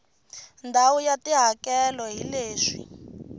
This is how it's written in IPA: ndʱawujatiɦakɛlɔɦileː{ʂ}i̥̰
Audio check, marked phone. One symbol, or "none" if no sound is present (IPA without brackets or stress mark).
ʂ